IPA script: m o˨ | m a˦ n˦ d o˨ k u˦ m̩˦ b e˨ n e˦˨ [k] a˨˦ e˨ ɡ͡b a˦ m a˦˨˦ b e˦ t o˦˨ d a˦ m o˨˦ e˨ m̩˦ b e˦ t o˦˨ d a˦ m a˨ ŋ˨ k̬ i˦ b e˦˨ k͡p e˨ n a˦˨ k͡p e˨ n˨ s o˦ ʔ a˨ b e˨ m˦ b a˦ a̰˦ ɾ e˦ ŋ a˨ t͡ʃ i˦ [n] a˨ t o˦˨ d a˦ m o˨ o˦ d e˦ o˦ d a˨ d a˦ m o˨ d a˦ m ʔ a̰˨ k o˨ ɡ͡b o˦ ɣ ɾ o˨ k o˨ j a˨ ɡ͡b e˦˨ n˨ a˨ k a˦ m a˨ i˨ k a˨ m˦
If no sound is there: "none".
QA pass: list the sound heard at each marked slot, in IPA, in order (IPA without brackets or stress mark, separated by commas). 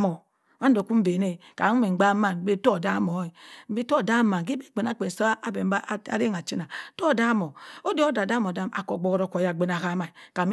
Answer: k, n